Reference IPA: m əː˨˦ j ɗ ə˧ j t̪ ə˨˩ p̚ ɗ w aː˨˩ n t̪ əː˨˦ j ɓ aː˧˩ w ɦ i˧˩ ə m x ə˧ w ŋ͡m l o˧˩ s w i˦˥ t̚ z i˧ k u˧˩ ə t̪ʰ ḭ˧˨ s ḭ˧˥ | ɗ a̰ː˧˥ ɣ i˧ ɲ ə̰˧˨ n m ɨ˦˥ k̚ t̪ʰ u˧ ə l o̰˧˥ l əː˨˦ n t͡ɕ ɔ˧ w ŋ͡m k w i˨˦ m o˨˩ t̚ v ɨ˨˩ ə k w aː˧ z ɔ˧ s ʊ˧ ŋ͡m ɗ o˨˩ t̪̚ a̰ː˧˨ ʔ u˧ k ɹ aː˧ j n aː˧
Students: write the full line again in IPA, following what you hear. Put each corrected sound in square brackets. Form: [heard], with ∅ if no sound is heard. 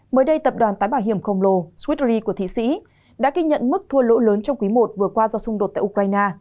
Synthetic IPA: m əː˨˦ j ɗ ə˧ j t̪ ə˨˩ p̚ ɗ w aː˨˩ n t̪ [aː˨˦] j ɓ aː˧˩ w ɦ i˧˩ ə m x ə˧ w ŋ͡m l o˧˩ s w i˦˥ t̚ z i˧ k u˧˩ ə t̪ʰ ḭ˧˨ s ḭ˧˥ | ɗ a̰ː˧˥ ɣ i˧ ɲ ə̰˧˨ n m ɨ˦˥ k̚ t̪ʰ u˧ ə l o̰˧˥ l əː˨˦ n t͡ɕ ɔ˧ w ŋ͡m k w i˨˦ m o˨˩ t̚ v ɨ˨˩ ə k w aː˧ z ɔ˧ s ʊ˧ ŋ͡m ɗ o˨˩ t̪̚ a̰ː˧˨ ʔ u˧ k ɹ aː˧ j n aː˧